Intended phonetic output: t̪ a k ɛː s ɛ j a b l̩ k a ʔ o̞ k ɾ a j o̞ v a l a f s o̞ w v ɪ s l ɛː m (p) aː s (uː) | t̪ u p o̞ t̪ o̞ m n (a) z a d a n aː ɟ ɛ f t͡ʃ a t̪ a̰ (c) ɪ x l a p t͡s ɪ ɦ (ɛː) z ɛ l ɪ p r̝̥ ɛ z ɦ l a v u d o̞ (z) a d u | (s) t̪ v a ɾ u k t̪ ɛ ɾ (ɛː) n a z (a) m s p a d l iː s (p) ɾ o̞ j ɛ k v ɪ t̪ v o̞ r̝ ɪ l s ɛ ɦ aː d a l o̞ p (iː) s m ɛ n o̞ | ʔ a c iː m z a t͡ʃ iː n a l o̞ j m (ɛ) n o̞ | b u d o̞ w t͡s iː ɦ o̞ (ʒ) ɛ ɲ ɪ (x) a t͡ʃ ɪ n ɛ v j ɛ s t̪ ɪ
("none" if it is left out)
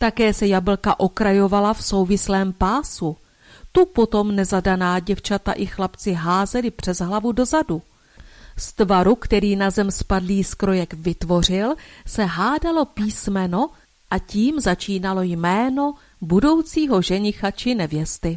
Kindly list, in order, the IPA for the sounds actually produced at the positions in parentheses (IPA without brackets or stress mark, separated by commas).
p, u, ɛ, ʔ, aː, z, s, iː, ɛ, k, iː, ɛː, ʒ, x